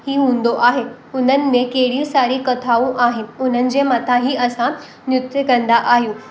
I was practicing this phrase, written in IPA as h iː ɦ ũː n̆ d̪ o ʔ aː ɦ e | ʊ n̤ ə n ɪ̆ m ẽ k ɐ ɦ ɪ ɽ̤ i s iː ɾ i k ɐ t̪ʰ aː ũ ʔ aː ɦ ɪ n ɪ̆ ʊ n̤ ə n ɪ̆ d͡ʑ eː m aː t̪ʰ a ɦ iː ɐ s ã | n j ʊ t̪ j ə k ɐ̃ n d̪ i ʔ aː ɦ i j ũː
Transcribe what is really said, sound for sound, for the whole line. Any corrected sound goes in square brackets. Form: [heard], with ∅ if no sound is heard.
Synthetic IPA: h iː ɦ ũː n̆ d̪ o ʔ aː ɦ e | ʊ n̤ ə n ɪ̆ m ẽ k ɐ ɦ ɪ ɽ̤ i s [aː] ɾ i k ɐ t̪ʰ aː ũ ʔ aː ɦ ɪ n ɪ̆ ʊ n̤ ə n ɪ̆ d͡ʑ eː m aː t̪ʰ a ɦ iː ɐ s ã | n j ʊ t̪ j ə k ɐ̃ n d̪ [a] ʔ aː ɦ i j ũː